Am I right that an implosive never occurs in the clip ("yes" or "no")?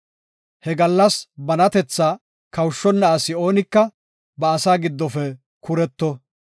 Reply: yes